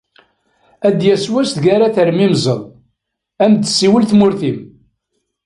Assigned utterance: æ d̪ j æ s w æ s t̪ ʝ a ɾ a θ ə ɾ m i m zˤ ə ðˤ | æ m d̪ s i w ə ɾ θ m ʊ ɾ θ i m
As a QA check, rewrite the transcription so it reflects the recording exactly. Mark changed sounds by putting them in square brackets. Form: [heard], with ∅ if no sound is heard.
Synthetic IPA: æ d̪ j æ s w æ s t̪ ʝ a ɾ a θ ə ɾ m i m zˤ ə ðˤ | æ m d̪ s i w ə [l] θ m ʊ ɾ θ i m